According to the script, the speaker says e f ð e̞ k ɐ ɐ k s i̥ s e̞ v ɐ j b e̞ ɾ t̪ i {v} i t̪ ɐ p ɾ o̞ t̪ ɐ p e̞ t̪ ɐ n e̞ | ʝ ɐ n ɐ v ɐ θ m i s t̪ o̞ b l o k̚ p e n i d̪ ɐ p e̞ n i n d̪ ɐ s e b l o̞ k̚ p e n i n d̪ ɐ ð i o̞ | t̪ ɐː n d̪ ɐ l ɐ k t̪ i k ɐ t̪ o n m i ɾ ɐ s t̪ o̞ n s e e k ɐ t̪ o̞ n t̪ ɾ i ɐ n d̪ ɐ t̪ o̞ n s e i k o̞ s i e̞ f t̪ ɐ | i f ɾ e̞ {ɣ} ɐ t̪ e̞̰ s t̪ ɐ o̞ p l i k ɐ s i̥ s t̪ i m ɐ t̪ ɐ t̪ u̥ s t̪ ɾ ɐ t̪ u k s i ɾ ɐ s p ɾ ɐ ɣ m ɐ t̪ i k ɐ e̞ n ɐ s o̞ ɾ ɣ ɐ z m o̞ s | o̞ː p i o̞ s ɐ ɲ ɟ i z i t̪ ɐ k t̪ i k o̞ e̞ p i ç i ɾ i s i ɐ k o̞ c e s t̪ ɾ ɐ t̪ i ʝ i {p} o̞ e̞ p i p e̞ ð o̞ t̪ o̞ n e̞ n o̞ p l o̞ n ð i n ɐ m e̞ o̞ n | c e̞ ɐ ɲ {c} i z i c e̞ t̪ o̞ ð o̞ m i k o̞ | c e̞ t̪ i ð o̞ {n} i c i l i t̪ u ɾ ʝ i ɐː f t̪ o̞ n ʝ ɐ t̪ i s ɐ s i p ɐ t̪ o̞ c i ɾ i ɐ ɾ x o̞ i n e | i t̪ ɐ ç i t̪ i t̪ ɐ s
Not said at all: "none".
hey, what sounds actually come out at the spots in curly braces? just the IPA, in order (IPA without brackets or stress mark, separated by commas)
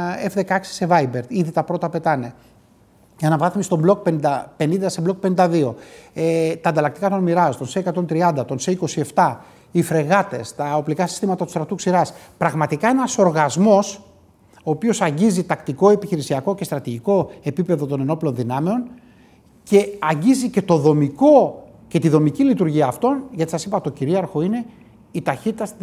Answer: ð, ɣ, k, ɟ, m